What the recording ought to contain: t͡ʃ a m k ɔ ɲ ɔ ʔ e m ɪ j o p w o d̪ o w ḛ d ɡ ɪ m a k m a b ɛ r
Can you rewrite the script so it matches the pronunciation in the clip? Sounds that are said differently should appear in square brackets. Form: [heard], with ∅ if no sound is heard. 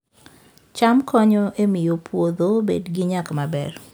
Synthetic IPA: t͡ʃ a m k ɔ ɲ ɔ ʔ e m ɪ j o p w o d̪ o [b] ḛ d ɡ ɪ [ɲ] a k m a b ɛ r